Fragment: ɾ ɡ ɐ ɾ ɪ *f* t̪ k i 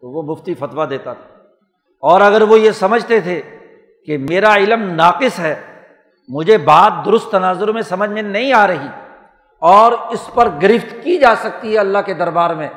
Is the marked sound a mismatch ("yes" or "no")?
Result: no